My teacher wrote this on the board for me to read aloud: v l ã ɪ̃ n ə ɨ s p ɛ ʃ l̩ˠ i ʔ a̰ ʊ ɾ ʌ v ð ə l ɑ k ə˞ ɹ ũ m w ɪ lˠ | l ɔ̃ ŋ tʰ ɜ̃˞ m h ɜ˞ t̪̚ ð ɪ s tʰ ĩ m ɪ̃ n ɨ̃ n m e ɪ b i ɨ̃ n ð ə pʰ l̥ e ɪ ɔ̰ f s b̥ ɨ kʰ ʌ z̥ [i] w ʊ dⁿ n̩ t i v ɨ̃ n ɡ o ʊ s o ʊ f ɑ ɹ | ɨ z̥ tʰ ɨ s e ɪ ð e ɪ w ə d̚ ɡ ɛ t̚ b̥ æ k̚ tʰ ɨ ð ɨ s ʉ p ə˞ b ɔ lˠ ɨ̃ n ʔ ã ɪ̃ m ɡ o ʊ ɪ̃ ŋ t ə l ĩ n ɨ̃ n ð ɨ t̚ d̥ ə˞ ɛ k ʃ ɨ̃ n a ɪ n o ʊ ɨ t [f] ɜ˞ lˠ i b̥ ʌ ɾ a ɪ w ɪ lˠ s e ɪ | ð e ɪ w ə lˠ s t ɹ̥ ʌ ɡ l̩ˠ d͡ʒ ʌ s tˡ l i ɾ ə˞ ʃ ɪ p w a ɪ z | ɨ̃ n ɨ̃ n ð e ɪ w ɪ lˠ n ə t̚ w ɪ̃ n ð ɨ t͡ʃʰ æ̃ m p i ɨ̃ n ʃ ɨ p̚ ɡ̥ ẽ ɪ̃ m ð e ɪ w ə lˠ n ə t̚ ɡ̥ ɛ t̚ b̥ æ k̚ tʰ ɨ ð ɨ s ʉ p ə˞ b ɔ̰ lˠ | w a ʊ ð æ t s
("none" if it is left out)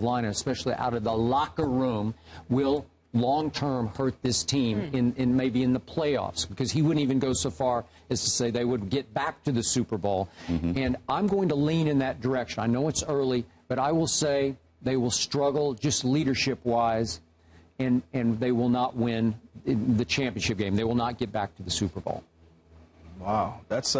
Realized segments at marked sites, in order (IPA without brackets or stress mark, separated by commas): i, s